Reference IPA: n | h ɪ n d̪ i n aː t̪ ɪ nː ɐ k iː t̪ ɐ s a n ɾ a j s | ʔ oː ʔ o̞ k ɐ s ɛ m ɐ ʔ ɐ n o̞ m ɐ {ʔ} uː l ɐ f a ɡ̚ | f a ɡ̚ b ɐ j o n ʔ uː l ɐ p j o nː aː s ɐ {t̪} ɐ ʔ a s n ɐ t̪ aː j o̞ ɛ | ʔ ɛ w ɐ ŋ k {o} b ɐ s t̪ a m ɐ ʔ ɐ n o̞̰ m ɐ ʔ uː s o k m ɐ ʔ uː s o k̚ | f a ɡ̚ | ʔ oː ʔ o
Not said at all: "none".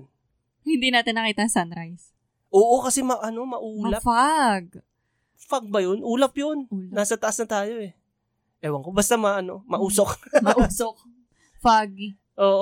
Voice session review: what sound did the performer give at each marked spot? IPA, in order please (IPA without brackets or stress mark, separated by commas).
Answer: ʔ, t̪, o